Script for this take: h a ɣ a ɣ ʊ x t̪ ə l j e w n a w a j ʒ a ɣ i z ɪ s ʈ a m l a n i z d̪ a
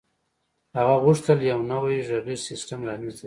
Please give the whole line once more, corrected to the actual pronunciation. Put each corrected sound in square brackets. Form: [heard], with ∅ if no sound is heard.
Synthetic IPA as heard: h a ɣ a ɣ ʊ [ʂ] t̪ ə l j [a] w n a w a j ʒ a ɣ i [s] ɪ s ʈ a m l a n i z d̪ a